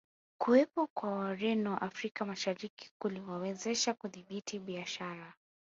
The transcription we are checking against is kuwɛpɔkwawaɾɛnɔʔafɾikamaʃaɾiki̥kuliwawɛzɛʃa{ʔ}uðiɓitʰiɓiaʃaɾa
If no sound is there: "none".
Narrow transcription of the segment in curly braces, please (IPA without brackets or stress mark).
k